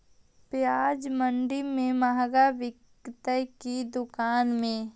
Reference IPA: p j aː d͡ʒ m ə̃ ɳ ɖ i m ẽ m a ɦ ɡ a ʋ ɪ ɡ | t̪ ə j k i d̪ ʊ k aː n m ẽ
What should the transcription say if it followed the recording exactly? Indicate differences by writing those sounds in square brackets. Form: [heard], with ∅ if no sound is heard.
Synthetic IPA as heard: p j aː d͡ʒ m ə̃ ɳ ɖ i m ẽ m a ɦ ɡ a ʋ ɪ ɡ | t̪ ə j k i d̪ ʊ k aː n m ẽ